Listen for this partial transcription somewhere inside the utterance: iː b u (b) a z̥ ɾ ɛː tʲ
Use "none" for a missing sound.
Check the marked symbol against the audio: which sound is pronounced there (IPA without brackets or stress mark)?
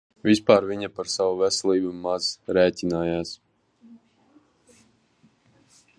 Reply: m